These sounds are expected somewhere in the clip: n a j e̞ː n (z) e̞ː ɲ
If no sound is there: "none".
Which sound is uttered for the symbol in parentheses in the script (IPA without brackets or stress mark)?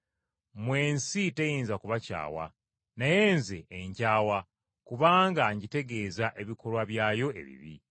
z